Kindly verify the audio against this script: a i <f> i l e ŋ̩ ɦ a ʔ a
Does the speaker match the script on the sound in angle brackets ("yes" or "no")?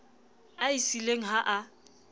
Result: no